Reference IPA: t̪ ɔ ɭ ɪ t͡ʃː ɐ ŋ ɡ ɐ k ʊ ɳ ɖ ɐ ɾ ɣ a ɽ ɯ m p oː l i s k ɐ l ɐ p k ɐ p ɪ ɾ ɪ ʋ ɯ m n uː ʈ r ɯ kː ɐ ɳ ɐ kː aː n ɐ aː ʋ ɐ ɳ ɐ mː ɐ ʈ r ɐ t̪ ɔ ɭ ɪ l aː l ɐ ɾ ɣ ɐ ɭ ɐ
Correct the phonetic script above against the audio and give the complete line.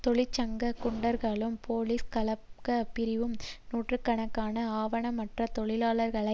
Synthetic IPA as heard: t̪ ɔ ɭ ɪ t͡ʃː ɐ ŋ ɡ ɐ k ʊ ɳ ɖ ɐ ɾ ɣ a ɭ ɯ m p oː l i s k ɐ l ɐ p k ɐ p ɪ ɾ ɪ ʋ ɯ m n uː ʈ r ɯ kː ɐ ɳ ɐ kː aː n ɐ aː ʋ ɐ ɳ ɐ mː ɐ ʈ r ɐ t̪ ɔ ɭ ɪ l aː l ɐ ɾ ɣ ɐ ɭ ɐ